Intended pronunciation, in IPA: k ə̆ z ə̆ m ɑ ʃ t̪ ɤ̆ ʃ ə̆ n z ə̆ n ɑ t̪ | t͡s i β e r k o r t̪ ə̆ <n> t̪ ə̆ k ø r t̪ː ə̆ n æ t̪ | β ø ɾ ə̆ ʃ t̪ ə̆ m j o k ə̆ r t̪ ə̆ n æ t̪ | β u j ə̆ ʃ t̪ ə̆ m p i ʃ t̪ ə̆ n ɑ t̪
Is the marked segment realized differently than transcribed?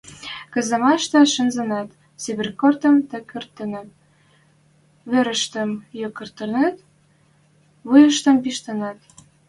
yes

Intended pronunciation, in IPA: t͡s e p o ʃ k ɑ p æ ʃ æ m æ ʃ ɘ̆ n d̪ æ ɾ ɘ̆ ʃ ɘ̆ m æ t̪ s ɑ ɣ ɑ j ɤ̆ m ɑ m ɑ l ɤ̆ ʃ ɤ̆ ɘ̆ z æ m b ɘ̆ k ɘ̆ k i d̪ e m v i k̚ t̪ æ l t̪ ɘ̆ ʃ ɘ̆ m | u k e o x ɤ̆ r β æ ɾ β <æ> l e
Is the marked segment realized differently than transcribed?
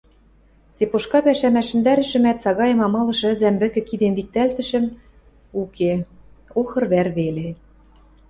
yes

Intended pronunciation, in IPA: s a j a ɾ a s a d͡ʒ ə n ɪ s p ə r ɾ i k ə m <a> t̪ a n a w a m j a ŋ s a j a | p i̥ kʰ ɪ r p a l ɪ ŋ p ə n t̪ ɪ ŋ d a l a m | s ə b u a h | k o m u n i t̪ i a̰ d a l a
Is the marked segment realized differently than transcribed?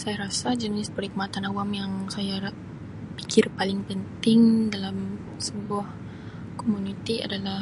no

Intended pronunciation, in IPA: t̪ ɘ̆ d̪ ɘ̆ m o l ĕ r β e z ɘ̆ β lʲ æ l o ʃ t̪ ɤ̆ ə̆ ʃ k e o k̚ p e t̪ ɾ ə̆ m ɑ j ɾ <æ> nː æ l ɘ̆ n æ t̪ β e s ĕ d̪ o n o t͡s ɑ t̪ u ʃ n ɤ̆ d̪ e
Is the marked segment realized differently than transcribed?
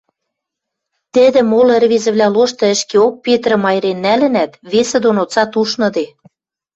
yes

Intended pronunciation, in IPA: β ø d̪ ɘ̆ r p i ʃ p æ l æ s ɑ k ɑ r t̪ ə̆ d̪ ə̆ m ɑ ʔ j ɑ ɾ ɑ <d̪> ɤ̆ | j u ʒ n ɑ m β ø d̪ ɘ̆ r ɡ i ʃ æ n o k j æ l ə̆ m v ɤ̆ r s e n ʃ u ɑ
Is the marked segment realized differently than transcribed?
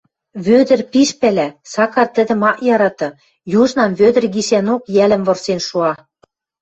yes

